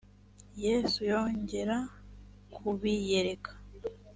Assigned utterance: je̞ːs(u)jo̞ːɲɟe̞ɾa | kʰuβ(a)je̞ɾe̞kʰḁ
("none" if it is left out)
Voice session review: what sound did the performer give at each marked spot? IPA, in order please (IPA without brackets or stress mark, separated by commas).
u, i